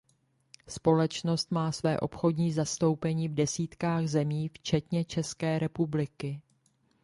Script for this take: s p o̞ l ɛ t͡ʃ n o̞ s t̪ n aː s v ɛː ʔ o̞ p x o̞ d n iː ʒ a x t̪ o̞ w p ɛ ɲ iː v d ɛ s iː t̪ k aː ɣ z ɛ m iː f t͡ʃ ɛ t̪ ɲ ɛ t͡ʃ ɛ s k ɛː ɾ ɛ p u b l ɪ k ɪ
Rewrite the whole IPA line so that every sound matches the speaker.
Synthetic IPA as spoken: s p o̞ l ɛ t͡ʃ n o̞ s t̪ m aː s v ɛː ʔ o̞ p x o̞ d ɲ iː z a s t̪ o̞ w p ɛ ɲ iː v d ɛ s iː t̪ k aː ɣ z ɛ m iː f t͡ʃ ɛ t̪ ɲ ɛ t͡ʃ ɛ s k ɛː ɾ ɛ p u b l ɪ k ɪ